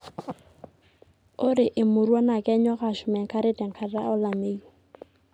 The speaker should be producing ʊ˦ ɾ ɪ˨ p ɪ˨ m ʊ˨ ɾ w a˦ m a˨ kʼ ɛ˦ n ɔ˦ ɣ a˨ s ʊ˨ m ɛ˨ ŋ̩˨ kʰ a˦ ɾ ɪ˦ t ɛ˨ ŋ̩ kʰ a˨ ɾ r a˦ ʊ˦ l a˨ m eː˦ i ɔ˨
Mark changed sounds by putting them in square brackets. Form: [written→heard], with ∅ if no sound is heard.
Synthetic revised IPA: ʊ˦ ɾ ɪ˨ [p→ʔ] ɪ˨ m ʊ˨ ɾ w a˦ [m→n] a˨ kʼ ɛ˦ [n→ɲ] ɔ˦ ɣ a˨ [s→ʃ] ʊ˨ m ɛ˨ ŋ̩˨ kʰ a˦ ɾ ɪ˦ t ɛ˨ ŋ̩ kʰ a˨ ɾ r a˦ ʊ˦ l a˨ m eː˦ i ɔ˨

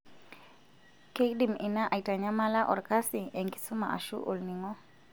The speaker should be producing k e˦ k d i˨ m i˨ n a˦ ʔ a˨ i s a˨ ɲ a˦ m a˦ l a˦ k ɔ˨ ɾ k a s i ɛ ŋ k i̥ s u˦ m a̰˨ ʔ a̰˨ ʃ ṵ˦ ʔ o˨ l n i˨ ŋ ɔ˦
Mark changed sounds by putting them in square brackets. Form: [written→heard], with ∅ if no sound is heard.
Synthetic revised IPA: k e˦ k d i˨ m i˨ n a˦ ʔ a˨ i [s→t] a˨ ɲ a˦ m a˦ l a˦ [k→ʔ] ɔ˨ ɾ k a s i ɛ ŋ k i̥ s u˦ m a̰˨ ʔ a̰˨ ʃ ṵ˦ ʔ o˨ l n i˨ ŋ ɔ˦

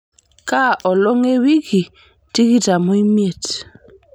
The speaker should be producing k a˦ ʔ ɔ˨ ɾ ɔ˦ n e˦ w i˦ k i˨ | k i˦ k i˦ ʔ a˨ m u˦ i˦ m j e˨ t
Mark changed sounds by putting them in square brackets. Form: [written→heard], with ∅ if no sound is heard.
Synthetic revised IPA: k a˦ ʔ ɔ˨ [ɾ→l] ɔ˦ [n→ŋ] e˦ w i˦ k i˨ | [k→t] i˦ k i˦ [ʔ→t] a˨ m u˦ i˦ m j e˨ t

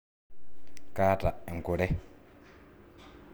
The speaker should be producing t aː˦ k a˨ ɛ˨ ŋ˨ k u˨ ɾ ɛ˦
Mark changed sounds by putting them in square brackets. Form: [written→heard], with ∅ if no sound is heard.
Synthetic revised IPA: [t→k] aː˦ [k→t] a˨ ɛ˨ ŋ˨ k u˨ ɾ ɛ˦

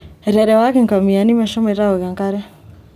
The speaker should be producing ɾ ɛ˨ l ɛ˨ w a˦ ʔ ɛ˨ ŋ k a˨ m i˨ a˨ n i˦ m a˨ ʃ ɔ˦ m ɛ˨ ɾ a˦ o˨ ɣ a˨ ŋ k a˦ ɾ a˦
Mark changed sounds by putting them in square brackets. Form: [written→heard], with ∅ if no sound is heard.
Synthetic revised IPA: ɾ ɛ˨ [l→ɾ] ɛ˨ w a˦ [ʔ→k] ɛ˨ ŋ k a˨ m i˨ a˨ n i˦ m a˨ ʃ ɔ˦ m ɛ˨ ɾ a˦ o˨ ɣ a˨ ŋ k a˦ ɾ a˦

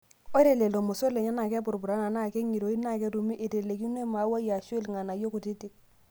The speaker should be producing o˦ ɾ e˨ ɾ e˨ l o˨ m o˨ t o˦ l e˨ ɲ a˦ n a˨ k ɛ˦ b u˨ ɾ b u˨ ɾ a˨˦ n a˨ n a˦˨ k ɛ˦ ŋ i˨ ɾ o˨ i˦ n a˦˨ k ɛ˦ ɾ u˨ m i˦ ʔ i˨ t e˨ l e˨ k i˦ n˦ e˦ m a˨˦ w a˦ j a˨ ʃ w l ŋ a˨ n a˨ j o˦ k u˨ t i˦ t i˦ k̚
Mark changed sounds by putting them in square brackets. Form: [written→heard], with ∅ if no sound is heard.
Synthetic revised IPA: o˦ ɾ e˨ [ɾ→l] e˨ l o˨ m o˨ [t→s] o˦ l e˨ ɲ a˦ n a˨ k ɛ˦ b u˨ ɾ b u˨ ɾ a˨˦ n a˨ n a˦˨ k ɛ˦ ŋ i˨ ɾ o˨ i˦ n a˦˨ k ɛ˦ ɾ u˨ m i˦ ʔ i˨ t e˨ l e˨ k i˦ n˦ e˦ m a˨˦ w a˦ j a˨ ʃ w l ŋ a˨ n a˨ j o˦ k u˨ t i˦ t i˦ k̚

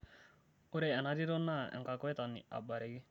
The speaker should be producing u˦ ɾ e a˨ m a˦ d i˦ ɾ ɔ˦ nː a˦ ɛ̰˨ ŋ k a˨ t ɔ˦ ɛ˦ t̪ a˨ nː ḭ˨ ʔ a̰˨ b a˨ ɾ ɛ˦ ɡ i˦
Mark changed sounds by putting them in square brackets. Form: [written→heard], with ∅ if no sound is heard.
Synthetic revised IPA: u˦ ɾ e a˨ [m→n] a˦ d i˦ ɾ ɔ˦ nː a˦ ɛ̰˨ ŋ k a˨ [t→k] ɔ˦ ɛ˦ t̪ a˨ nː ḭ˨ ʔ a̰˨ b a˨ ɾ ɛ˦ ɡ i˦

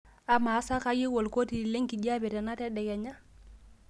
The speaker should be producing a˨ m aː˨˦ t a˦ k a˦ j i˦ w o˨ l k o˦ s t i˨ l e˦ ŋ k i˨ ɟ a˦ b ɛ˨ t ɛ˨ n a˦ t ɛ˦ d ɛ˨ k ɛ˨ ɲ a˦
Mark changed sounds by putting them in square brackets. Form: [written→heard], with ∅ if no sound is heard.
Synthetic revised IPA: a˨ m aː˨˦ [t→s] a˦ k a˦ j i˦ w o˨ l k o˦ [s→∅] t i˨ l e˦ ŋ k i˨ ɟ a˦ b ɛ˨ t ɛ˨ n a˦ t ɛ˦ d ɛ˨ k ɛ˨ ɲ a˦

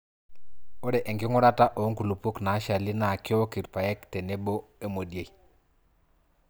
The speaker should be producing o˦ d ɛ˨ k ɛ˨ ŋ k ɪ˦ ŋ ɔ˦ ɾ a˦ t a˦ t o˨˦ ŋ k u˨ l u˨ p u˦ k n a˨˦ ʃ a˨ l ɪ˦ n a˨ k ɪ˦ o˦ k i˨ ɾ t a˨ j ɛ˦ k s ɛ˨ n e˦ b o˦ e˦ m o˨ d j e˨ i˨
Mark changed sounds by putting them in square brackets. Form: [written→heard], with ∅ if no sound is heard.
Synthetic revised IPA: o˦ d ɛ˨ [k→ʔ] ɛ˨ ŋ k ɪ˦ ŋ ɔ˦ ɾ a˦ t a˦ [t→ʔ] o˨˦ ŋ k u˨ l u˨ p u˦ k n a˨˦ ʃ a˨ l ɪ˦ n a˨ k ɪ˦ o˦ k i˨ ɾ [t→p] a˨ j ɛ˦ k [s→t] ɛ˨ n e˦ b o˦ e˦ m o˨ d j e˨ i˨

